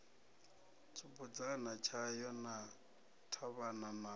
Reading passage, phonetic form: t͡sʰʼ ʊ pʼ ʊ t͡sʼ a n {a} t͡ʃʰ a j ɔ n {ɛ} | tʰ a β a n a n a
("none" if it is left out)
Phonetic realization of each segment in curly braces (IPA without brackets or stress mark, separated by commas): a, a